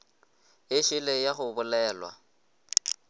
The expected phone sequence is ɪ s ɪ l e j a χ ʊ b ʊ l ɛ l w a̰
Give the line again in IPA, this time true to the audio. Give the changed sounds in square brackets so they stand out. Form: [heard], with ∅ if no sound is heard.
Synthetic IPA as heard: ɪ [ʃ] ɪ l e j a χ ʊ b ʊ l [ɛː] l w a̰